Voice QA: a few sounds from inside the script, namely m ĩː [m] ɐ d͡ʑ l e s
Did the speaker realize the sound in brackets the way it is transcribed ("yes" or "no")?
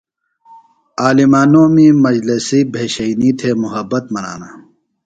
yes